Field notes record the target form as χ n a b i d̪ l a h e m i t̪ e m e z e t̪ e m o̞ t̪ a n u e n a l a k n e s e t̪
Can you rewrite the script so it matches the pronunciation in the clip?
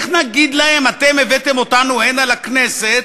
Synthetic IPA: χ n a ɡ i d̪ l a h e m a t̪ e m e v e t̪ e m o̞ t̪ a n u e n a l a k n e s e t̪